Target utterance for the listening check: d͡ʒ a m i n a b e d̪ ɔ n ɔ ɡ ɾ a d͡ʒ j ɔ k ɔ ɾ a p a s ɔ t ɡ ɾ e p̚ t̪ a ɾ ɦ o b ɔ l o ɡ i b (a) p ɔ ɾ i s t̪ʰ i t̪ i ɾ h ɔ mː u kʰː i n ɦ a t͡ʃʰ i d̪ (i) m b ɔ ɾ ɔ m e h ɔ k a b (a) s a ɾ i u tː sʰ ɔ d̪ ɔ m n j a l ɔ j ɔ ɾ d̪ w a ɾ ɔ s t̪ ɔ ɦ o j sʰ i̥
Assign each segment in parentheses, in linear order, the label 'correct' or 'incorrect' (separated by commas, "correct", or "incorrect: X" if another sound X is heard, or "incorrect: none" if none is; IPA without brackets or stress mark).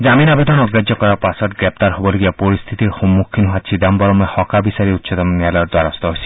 correct, incorrect: a, incorrect: i